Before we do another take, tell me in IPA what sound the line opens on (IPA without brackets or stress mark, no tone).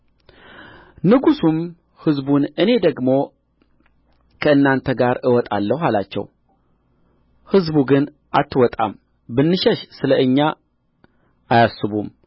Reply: n